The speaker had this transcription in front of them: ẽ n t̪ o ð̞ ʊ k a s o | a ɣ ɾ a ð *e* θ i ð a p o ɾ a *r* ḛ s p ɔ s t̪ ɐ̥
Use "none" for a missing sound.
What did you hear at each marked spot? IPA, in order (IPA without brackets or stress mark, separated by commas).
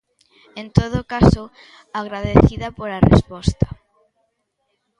e, r